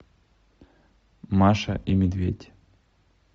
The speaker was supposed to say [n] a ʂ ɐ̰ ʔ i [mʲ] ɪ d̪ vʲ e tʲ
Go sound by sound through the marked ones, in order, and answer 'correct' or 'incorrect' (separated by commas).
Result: incorrect, correct